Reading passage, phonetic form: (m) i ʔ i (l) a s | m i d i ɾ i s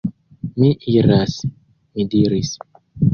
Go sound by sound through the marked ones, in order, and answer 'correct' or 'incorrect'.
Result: correct, incorrect: ɾ

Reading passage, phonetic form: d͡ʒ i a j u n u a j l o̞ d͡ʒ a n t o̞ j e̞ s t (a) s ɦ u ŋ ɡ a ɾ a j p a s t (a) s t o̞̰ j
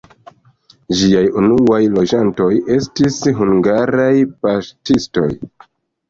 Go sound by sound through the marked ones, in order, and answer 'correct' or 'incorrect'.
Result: incorrect: i, incorrect: i

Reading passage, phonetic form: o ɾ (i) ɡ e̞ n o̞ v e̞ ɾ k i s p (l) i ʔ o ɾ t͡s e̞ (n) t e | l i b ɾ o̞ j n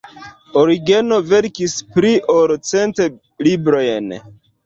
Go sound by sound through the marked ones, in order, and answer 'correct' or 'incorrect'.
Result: correct, incorrect: ɾ, correct

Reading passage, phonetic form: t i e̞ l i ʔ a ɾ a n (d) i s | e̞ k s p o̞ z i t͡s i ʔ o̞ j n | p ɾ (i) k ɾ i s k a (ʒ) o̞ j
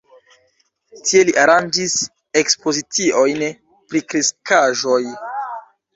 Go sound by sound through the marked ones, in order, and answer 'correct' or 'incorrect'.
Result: incorrect: d͡ʒ, correct, correct

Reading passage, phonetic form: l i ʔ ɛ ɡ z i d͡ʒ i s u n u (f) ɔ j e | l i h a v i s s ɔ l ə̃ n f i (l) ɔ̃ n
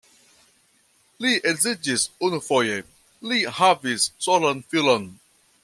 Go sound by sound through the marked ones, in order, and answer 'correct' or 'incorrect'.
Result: correct, correct

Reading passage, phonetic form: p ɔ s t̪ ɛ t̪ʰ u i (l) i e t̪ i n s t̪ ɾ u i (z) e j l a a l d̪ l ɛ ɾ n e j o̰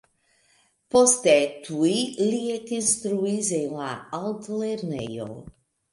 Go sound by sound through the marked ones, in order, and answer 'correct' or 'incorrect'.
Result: correct, correct

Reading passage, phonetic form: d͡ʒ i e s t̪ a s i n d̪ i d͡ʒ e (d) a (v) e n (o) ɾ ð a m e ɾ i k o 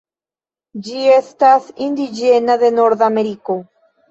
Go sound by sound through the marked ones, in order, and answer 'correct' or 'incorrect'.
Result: incorrect: n, incorrect: ð, correct

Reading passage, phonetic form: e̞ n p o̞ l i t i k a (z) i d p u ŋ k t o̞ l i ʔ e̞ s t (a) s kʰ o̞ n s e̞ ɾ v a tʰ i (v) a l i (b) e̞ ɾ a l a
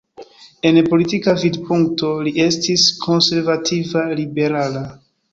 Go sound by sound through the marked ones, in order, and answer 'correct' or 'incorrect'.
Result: incorrect: v, incorrect: i, correct, correct

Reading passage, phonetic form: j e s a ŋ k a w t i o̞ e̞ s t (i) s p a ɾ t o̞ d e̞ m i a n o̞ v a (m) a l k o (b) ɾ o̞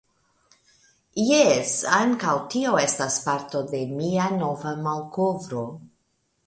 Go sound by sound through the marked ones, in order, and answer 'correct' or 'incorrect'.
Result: incorrect: a, correct, incorrect: v

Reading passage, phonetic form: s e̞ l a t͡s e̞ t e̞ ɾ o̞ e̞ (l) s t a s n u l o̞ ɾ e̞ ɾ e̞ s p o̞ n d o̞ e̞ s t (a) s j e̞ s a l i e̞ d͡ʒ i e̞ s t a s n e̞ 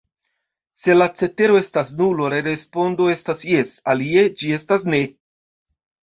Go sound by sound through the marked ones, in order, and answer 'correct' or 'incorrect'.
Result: incorrect: none, correct

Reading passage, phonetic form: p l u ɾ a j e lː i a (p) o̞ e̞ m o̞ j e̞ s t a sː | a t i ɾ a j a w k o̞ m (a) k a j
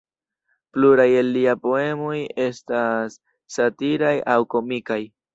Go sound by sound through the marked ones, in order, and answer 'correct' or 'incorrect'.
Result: correct, incorrect: i

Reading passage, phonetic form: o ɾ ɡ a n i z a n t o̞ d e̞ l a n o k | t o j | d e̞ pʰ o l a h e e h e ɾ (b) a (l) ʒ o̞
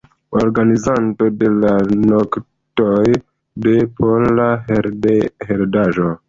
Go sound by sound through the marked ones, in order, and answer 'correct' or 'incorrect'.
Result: incorrect: d, incorrect: none

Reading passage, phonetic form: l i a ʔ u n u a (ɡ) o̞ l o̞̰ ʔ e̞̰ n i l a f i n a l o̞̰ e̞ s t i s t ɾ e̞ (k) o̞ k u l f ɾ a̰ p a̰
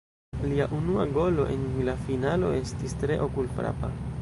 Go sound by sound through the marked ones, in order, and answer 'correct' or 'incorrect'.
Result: correct, incorrect: ʔ

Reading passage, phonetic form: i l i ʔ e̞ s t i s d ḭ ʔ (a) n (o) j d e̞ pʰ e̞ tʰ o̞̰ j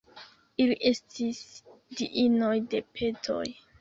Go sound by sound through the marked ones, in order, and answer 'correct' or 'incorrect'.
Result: incorrect: i, correct

